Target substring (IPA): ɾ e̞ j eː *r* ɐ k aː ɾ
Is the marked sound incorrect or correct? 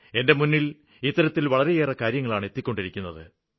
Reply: correct